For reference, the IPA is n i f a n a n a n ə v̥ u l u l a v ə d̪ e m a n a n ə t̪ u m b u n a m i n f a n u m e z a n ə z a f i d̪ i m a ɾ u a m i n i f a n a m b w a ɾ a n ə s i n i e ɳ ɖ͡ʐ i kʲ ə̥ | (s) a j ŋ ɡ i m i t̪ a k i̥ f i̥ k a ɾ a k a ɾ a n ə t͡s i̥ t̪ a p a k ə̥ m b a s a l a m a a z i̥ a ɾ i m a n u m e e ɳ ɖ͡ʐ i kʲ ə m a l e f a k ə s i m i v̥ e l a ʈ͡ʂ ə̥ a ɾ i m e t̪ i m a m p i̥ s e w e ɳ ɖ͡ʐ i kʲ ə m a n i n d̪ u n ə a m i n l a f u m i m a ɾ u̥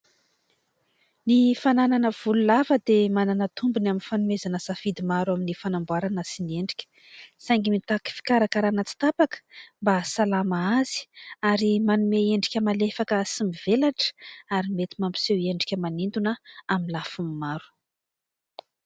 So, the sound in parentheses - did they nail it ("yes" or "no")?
yes